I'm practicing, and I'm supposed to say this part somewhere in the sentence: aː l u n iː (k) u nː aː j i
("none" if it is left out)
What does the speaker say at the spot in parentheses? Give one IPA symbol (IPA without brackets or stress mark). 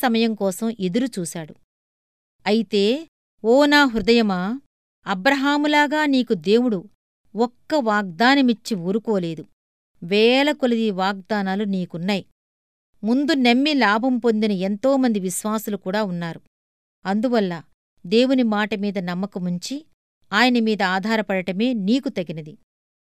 k